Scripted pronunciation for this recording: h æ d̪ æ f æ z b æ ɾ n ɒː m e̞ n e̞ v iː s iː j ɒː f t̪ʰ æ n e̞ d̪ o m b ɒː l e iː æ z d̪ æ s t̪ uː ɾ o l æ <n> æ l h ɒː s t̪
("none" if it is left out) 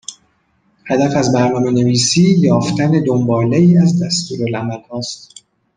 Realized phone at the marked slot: m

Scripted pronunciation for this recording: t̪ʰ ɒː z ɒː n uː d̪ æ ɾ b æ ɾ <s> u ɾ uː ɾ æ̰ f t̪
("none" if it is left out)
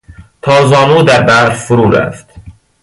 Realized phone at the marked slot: f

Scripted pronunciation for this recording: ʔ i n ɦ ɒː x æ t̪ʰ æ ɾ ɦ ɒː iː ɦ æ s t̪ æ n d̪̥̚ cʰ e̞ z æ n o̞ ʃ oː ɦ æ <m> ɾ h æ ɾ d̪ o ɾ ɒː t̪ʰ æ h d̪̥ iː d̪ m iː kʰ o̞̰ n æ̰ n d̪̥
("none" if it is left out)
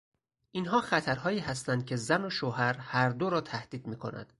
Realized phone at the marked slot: none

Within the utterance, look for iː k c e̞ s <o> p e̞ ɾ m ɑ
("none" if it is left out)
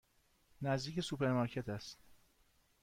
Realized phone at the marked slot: u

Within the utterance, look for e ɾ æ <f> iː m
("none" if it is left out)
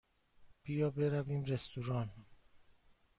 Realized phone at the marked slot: v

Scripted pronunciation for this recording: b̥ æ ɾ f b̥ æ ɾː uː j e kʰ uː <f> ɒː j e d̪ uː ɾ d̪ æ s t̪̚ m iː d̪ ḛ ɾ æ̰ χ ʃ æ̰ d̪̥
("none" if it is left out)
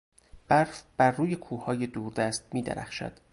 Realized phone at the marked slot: h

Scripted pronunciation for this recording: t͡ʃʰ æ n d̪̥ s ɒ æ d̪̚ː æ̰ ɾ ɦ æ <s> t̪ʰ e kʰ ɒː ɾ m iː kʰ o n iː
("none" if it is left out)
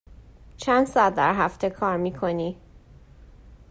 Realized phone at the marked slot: f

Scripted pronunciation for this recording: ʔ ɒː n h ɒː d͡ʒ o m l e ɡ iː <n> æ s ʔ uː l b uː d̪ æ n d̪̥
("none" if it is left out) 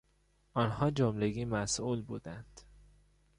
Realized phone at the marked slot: m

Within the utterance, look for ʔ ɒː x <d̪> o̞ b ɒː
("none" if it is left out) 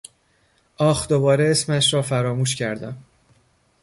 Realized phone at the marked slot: d̪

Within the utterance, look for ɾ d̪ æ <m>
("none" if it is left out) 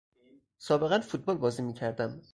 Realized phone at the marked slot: m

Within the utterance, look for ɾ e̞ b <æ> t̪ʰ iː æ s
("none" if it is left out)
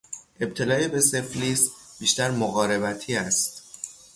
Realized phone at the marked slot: æ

